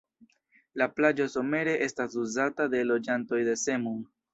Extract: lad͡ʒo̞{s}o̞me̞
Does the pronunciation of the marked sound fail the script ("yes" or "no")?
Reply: no